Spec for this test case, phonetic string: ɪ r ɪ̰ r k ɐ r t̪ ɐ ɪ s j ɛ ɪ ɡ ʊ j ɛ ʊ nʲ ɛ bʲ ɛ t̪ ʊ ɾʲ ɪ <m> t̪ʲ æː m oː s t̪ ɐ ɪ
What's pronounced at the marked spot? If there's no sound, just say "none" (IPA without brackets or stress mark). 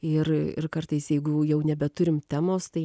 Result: m